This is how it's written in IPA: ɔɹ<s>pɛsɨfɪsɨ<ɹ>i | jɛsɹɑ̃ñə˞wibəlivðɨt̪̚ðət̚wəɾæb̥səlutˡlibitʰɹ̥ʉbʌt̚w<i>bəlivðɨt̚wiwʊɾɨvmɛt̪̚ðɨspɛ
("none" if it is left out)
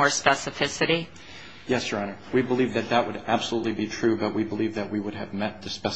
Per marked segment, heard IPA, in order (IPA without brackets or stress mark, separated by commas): s, ɾ, i